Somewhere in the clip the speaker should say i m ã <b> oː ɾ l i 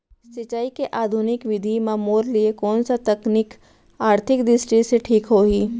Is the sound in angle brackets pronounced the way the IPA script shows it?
no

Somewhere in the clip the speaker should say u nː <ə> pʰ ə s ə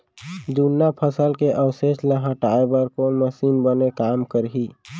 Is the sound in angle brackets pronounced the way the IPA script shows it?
no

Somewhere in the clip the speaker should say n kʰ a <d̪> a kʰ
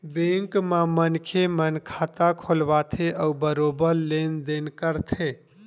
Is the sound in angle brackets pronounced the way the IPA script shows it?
no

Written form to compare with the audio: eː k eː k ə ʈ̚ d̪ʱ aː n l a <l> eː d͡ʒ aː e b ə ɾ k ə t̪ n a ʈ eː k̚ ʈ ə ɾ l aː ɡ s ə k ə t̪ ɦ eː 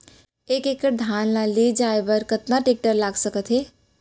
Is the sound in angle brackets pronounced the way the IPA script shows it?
yes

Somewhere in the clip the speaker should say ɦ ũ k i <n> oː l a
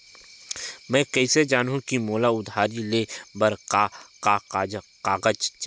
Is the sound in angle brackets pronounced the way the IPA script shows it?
no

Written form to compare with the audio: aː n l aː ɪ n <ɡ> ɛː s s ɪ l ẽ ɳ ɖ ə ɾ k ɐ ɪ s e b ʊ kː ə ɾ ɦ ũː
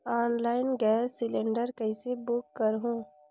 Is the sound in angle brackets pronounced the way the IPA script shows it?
yes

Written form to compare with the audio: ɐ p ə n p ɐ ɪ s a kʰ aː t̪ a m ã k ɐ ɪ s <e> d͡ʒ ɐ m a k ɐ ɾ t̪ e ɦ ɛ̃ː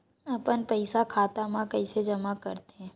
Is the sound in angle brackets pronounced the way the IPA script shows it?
yes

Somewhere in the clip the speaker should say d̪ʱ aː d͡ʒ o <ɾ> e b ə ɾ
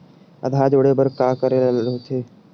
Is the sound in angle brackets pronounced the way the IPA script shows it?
no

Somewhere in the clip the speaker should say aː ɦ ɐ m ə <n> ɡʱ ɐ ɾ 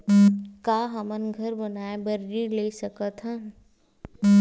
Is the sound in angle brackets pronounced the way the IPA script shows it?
yes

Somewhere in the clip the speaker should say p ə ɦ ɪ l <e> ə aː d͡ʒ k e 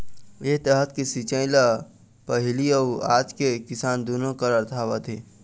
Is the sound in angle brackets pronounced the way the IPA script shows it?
no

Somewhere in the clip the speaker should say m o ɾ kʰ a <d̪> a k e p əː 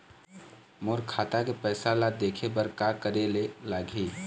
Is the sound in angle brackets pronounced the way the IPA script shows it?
no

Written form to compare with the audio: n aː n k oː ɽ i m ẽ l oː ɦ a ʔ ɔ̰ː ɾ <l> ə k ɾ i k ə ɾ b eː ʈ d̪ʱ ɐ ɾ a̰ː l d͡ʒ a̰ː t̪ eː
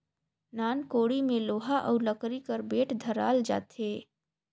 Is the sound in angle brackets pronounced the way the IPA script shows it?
yes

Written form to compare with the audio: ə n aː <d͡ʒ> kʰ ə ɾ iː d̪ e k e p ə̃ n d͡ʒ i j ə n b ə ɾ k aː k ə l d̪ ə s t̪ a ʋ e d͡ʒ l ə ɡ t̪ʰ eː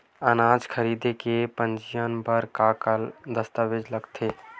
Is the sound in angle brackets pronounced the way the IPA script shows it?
yes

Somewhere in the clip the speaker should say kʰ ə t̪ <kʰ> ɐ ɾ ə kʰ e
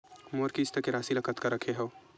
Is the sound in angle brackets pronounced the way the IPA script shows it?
no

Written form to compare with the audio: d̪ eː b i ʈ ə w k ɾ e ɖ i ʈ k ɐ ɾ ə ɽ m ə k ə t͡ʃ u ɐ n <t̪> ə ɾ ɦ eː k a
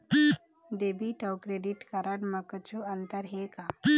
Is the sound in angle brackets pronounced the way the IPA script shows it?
yes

